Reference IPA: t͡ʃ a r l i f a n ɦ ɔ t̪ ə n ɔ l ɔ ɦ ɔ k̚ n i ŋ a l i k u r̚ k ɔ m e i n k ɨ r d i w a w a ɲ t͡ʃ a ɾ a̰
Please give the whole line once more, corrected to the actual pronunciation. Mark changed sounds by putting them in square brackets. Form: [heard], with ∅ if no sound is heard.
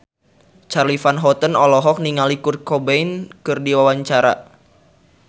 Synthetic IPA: t͡ʃ a r l i f a n ɦ ɔ t̪ ə n ɔ l ɔ ɦ ɔ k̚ n i ŋ a l i k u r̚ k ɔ [b] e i n k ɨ r d i w a w a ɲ t͡ʃ a ɾ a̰